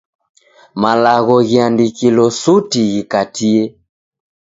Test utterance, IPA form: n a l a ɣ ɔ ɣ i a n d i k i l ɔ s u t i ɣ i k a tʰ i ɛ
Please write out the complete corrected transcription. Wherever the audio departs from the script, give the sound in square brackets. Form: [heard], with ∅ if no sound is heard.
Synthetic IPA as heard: [m] a l a ɣ ɔ ɣ i a n d i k i l ɔ s u t i ɣ i k a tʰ i ɛ